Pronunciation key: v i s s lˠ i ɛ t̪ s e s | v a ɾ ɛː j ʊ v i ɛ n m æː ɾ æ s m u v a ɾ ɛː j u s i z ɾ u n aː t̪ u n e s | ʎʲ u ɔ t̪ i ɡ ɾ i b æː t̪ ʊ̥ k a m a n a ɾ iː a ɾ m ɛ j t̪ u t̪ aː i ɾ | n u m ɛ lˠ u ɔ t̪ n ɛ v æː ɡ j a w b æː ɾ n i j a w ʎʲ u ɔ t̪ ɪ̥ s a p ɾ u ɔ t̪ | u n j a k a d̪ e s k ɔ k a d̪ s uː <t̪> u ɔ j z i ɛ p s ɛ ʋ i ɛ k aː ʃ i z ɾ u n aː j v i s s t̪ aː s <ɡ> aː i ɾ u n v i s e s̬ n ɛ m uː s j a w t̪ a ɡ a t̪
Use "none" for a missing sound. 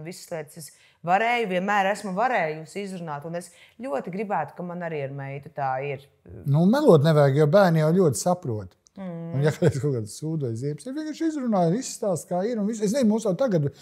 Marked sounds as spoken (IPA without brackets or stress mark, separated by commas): d̪, k